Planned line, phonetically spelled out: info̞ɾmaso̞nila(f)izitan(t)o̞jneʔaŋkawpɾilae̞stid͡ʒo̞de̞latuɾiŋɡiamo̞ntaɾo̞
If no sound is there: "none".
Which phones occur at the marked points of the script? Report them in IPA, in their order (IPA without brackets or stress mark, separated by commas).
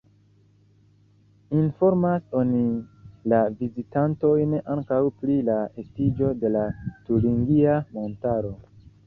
v, t